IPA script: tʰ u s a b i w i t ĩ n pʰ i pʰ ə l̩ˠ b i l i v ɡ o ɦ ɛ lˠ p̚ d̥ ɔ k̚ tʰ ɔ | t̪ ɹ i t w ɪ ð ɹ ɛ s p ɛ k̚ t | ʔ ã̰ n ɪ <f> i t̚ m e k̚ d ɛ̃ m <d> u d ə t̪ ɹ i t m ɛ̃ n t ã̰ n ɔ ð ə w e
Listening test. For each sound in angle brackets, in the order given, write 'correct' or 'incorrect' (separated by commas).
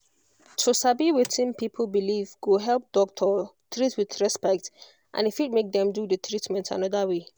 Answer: correct, correct